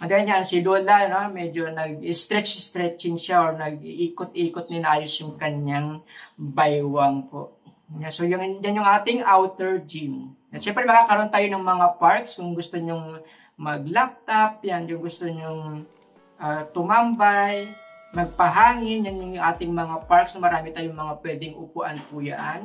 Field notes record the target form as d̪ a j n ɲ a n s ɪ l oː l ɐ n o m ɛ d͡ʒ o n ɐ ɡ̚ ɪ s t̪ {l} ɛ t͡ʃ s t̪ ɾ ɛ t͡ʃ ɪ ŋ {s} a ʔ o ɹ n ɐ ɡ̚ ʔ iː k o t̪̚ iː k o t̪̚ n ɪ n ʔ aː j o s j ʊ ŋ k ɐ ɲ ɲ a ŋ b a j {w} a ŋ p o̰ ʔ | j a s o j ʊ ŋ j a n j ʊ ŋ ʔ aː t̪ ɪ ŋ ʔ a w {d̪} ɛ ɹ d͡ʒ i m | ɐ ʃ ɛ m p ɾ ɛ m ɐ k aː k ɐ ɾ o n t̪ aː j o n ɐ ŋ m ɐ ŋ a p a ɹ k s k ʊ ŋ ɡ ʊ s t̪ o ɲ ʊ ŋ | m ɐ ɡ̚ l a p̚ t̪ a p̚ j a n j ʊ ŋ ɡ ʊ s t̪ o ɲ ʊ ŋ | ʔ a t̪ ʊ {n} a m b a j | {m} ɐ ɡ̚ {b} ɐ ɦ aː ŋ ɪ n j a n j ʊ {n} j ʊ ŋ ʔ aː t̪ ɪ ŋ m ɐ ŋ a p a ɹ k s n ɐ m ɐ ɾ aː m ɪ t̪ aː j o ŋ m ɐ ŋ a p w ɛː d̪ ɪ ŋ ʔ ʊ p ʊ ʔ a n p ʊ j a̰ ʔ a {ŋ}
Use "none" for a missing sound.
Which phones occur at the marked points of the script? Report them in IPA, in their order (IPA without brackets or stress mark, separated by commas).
ɾ, ʃ, w, t̪, m, m, p, ŋ, n